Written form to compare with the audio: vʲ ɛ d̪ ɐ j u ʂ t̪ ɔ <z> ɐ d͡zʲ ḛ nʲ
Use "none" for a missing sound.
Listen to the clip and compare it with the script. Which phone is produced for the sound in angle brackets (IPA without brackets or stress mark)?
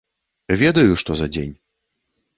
z